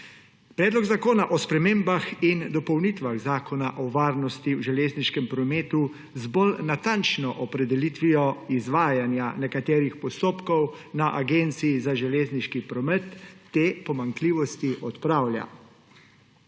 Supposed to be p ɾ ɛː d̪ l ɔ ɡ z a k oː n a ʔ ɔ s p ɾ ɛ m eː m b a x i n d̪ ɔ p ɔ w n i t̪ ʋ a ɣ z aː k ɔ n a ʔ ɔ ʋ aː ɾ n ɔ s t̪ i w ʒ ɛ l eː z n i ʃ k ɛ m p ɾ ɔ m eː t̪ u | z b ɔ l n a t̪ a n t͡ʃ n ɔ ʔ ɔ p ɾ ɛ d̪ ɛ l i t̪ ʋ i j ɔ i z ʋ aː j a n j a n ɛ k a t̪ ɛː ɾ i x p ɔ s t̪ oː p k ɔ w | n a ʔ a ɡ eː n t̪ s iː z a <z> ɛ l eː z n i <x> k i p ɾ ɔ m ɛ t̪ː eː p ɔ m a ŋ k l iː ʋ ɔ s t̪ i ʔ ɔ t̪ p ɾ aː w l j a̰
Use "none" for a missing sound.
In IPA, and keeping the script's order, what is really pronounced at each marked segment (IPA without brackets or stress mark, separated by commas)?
ʒ, ʃ